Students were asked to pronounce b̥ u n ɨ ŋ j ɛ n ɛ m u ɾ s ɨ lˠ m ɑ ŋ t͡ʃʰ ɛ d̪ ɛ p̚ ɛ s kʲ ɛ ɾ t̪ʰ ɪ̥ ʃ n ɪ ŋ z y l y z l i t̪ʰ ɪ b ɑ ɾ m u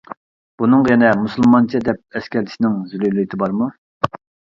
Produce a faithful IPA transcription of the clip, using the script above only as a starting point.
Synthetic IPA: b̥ u n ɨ ŋ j ɛ n ɛ m u s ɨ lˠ m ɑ n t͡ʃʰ ɛ d̪ ɛ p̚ ɛ s kʲ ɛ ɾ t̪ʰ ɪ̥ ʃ n ɪ ŋ z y l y l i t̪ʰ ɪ b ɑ ɾ m u